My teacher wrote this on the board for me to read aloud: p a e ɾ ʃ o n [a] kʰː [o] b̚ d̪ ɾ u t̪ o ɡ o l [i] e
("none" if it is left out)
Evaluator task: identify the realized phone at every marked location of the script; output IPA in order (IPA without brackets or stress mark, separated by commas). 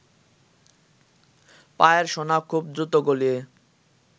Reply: a, u, i